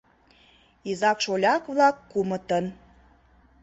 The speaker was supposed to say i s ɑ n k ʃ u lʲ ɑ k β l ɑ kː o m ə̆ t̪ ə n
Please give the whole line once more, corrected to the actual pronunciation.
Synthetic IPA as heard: i z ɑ k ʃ o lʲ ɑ k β l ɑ kː u m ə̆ t̪ ə n

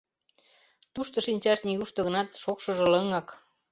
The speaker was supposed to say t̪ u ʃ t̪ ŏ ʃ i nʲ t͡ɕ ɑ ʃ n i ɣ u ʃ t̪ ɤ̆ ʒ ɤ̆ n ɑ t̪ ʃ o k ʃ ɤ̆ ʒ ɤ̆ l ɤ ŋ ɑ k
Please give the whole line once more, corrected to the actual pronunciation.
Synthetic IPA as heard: t̪ u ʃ t̪ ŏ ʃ i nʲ t͡ɕ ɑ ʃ n i ɣ u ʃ t̪ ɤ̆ ɣ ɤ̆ n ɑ t̪ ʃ o k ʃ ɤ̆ ʒ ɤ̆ l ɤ ŋ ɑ k

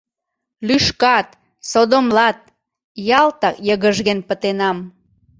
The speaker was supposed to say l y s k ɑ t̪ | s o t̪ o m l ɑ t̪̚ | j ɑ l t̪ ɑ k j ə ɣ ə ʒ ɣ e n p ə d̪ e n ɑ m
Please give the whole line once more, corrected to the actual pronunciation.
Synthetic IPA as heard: l y ʃ k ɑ t̪ | s o d̪ o m l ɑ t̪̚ | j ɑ l t̪ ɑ k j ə ɣ ə ʒ ɣ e n p ə t̪ e n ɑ m

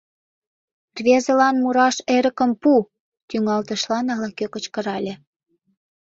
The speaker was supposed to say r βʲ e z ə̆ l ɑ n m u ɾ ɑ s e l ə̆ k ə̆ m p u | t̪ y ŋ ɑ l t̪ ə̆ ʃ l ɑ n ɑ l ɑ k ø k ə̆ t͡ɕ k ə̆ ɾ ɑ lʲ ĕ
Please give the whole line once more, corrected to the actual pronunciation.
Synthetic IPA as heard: r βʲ e z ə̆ l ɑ n m u ɾ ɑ ʃ e ɾ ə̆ k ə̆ m p u | t̪ y ŋ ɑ l t̪ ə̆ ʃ l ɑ n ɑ l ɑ k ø k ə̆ t͡ɕ k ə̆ ɾ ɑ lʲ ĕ

